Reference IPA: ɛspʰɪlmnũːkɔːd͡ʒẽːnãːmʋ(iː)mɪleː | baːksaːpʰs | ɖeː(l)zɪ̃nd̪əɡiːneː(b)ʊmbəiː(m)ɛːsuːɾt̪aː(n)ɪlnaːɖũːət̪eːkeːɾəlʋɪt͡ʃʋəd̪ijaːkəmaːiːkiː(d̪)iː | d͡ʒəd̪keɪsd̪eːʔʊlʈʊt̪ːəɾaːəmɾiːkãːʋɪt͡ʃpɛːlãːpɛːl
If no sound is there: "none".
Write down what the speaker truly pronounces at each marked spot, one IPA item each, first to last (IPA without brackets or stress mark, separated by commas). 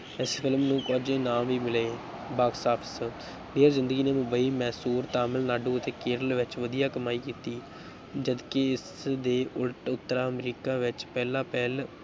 iː, ɾ, m, m, m, t̪